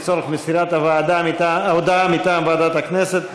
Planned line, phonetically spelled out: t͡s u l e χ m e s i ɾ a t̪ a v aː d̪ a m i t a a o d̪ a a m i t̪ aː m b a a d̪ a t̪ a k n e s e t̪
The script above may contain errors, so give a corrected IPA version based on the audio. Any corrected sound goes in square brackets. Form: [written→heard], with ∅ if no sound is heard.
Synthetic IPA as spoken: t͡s [u→o] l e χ m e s i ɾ a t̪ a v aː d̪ a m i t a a o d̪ a a m i t̪ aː m b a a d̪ a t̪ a k n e s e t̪